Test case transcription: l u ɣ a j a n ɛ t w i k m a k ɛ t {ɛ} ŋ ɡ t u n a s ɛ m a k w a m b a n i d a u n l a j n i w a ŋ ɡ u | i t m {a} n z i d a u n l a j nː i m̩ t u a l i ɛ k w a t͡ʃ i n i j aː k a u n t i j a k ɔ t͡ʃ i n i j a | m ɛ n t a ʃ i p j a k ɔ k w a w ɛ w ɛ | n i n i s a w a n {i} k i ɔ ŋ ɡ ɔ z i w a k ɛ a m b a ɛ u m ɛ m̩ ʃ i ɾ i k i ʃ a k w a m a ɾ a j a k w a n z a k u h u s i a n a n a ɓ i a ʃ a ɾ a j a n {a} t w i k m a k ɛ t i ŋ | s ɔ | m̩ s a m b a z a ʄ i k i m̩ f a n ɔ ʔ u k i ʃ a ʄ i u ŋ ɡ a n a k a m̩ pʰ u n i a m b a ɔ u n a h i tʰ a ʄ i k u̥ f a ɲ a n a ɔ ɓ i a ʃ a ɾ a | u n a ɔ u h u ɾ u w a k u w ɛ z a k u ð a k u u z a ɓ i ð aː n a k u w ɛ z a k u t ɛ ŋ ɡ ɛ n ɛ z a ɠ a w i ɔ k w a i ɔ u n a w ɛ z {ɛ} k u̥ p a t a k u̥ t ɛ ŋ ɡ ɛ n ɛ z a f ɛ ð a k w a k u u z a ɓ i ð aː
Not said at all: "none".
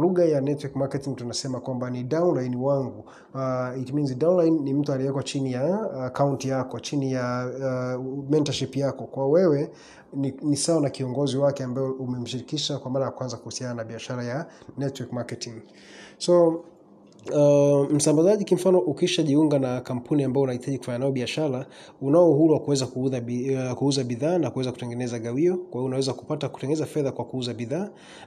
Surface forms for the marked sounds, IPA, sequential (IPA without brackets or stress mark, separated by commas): i, i, a, ɛ, a